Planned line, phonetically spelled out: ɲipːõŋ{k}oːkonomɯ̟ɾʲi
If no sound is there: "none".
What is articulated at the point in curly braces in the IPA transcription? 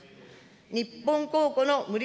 k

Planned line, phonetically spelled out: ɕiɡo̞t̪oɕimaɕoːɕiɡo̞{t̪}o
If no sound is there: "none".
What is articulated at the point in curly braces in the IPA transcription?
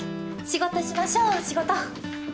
t̪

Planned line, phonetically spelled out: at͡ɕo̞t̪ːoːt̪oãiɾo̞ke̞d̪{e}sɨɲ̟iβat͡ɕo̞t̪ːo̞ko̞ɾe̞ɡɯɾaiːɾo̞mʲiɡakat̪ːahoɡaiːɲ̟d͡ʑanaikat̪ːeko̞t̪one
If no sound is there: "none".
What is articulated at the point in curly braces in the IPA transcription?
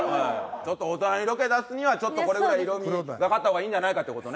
a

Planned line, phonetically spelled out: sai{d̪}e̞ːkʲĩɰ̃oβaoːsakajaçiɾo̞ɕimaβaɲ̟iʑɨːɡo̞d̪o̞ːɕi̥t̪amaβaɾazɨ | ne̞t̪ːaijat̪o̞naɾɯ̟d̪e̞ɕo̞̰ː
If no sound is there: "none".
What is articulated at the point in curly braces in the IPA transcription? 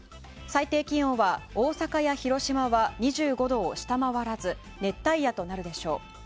t̪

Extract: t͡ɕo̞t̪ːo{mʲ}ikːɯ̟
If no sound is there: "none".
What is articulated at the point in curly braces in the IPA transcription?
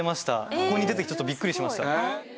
bʲ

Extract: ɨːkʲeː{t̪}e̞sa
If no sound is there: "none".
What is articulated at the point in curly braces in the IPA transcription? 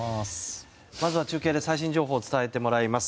d̪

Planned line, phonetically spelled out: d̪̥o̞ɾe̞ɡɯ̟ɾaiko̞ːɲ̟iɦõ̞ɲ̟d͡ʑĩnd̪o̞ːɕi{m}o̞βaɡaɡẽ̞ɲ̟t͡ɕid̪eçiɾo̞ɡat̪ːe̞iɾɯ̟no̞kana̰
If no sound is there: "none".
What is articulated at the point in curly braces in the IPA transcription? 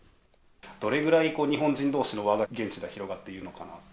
n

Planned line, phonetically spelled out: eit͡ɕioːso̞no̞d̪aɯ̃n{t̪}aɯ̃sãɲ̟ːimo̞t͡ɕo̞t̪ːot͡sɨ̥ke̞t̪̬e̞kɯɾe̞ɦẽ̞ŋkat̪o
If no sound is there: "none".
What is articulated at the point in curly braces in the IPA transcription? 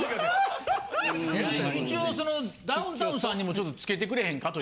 t̪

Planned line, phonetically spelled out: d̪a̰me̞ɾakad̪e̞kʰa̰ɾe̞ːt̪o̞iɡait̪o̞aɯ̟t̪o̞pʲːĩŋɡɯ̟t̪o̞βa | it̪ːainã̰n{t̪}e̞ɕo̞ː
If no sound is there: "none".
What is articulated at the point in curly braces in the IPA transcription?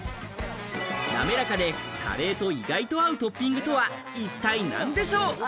d̪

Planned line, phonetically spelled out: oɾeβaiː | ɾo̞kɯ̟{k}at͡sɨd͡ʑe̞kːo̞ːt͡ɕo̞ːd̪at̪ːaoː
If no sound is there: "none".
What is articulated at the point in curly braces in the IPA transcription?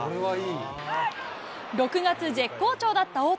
ɡ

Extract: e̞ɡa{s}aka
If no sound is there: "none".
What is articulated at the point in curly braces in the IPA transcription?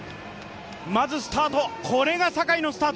s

